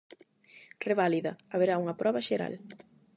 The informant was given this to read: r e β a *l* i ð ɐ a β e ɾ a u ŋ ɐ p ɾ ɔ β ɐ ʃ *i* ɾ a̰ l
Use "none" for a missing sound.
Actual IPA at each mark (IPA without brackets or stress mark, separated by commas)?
l, e